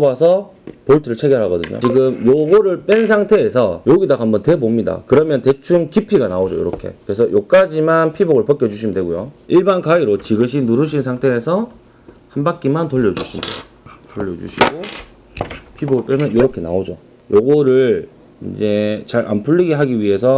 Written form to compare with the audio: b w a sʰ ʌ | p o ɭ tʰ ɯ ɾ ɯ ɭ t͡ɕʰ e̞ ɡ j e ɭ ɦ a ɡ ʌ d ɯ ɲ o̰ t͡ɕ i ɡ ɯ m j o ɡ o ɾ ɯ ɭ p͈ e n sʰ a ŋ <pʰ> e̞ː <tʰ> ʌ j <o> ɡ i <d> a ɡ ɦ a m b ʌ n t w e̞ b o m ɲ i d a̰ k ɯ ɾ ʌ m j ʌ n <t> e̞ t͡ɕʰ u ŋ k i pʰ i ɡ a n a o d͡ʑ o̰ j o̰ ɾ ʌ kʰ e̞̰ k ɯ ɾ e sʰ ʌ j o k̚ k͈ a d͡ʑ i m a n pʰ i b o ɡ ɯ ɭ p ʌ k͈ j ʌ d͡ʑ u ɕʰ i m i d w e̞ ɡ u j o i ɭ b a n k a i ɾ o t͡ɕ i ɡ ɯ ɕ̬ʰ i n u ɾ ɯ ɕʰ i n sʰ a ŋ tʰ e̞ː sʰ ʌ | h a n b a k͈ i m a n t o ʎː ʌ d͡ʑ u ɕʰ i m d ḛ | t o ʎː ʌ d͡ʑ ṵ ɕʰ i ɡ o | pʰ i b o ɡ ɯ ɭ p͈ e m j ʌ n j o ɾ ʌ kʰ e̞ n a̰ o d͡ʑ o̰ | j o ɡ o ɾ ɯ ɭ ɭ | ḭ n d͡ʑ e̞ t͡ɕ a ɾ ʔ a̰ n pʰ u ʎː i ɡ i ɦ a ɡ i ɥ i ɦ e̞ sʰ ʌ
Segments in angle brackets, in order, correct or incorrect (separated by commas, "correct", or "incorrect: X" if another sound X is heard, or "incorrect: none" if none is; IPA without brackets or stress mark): incorrect: tʰ, incorrect: sʰ, correct, correct, correct